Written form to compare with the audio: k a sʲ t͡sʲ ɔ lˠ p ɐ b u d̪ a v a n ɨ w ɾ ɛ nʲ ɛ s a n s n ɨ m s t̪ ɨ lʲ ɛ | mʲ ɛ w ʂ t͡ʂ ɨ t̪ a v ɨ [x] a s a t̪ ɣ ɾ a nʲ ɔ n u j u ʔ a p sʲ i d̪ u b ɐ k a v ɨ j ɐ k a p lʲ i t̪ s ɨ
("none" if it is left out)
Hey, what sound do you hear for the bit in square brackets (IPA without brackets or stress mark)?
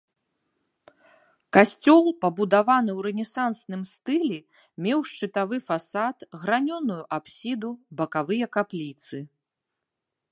f